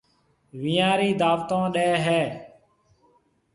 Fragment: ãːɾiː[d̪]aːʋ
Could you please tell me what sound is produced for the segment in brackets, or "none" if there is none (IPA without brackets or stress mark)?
d̪